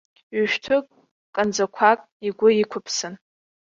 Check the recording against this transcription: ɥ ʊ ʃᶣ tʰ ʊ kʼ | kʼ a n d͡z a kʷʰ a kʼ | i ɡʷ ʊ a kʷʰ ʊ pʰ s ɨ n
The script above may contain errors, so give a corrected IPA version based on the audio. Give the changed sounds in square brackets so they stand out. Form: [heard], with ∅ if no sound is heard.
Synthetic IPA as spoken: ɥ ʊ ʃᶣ tʰ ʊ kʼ | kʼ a n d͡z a kʷʰ a kʼ | i ɡʷ ʊ [i] kʷʰ ʊ pʰ s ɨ n